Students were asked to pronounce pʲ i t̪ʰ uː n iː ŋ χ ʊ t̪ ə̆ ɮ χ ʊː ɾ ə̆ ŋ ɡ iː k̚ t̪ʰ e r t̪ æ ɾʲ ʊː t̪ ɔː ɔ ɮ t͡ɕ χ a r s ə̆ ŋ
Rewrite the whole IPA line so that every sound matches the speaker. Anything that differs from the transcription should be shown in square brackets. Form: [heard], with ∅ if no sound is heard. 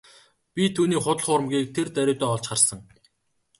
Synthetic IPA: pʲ i t̪ʰ uː n iː [∅] χ ʊ t̪ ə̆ ɮ χ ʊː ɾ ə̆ [m] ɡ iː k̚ t̪ʰ e r t̪ æ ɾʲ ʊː t̪ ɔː ɔ ɮ t͡ɕ χ a r s ə̆ ŋ